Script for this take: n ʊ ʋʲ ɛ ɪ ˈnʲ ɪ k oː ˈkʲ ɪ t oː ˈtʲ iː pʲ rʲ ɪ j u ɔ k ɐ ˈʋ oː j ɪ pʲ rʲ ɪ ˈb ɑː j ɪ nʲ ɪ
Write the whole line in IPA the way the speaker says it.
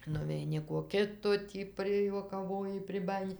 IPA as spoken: n ʊ ʋʲ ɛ ɪ ˈnʲ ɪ k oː ˈkʲ ɪ t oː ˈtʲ iː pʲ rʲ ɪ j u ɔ k ɐ ˈʋ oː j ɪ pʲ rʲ ɪ ˈb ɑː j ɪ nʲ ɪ